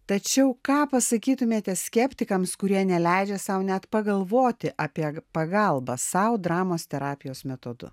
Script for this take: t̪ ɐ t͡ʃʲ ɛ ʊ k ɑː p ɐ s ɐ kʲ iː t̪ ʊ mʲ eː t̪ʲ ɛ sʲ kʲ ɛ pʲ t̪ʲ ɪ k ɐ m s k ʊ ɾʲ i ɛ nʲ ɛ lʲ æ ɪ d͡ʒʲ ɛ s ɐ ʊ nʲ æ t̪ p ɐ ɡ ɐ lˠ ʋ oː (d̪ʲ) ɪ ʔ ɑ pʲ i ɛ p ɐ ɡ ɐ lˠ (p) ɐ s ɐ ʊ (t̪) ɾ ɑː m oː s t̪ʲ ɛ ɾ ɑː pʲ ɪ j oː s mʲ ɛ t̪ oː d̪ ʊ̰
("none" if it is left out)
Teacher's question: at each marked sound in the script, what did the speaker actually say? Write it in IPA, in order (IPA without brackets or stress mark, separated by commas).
t̪ʲ, b, d̪